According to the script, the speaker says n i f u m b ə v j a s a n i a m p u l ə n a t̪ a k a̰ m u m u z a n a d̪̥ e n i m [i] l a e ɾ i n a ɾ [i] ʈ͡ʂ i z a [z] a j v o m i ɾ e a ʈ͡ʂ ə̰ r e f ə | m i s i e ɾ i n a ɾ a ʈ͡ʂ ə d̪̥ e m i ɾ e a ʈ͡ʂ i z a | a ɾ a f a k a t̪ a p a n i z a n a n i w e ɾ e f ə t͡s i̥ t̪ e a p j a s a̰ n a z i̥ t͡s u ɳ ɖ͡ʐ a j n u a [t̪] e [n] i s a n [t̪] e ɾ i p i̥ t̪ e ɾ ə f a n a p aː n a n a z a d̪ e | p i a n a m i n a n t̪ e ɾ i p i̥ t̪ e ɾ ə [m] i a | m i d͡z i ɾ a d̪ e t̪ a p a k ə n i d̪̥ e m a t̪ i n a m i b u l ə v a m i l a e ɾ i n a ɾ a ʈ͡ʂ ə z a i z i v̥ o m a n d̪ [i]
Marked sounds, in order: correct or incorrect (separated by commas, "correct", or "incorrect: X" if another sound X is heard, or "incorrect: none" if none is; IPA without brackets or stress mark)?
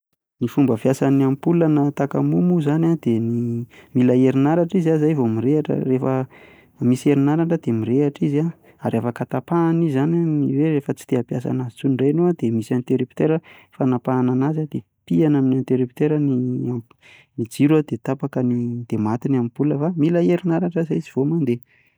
correct, incorrect: a, correct, incorrect: d̪, incorrect: m, correct, incorrect: n, incorrect: e